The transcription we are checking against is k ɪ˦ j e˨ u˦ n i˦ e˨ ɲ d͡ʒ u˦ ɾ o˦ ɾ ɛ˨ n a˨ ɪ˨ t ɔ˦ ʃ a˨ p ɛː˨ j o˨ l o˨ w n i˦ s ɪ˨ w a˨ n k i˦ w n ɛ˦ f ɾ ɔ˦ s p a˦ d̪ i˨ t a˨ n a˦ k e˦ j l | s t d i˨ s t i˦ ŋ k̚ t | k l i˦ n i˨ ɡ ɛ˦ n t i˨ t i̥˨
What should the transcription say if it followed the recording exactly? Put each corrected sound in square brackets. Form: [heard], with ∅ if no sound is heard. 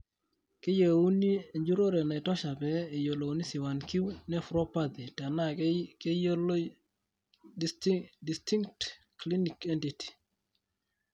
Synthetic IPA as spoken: k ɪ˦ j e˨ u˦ n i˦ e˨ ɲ d͡ʒ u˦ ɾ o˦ ɾ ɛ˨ n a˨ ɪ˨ t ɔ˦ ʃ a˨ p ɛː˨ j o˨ l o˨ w n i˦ s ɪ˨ w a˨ n k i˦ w n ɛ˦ f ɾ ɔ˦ [∅] p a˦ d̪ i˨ t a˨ n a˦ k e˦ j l | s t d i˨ s t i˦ ŋ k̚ t | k l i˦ n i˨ [k] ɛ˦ n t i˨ t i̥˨